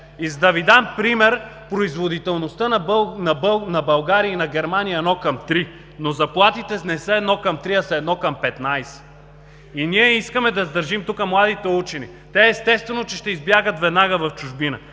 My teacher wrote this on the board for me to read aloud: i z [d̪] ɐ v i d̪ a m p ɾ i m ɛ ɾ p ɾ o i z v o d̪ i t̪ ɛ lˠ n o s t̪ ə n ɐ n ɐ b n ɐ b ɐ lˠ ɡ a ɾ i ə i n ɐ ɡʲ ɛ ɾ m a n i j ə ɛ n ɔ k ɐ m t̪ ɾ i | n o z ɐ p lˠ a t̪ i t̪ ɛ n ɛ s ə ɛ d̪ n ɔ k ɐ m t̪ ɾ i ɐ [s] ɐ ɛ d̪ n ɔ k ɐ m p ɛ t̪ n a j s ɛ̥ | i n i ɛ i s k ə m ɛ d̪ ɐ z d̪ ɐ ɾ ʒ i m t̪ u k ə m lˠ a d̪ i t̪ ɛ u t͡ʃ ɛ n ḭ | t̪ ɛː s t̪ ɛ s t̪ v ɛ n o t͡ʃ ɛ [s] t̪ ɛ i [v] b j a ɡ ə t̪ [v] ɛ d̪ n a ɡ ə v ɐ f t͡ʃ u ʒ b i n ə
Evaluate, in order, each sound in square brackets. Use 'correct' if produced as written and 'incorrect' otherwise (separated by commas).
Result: correct, correct, incorrect, incorrect, correct